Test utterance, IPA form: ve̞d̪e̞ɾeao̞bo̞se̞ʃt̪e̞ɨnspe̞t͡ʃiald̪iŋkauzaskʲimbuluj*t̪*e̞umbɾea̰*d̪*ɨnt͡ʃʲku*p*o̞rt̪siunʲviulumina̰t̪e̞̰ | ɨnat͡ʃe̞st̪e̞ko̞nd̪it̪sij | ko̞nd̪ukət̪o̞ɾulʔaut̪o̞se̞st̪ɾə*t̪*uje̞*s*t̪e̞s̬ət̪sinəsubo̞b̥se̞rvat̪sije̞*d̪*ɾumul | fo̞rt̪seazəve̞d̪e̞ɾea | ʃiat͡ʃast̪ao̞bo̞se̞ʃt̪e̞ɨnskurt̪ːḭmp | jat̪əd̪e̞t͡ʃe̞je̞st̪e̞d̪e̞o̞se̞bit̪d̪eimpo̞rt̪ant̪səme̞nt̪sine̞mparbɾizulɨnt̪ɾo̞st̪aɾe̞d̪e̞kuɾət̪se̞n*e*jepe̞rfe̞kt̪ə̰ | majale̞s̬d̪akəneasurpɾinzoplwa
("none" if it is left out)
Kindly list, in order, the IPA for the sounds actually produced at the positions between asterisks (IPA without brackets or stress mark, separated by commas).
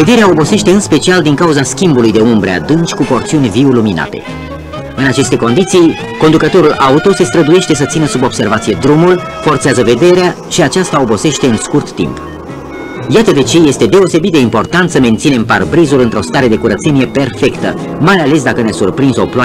d̪, d̪, p, d̪, ʃ, d̪, i